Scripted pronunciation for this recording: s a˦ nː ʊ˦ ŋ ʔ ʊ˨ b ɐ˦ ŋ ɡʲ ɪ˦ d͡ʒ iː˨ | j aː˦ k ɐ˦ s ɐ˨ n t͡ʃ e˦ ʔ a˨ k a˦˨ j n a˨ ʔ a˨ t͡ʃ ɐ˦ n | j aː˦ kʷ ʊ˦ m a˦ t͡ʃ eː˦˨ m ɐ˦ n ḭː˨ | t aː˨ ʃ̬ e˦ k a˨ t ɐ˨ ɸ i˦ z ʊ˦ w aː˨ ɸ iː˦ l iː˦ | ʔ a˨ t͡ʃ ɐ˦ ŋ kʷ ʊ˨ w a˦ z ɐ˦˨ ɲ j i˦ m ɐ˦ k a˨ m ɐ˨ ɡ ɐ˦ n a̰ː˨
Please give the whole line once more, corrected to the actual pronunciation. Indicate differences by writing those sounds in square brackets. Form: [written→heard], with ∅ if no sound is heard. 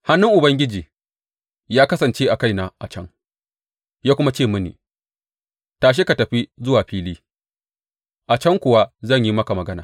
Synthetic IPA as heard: [s→h] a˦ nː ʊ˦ ŋ ʔ ʊ˨ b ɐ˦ ŋ ɡʲ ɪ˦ d͡ʒ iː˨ | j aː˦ k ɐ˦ s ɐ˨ n t͡ʃ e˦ ʔ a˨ k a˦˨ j n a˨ ʔ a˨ t͡ʃ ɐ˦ [n→ŋ] | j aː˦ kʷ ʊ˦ m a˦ t͡ʃ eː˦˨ m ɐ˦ n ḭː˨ | t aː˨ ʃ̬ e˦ k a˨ t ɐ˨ ɸ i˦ z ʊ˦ w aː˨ ɸ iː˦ l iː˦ | ʔ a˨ t͡ʃ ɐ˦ ŋ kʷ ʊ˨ w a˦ z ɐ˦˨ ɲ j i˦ m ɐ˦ k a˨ m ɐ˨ ɡ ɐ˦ n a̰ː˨